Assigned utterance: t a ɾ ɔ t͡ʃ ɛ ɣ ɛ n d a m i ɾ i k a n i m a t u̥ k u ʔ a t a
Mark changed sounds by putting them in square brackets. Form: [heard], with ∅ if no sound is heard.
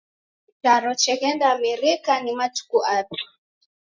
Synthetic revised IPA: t a ɾ ɔ t͡ʃ ɛ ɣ ɛ n d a m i ɾ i k a n i m a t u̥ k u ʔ a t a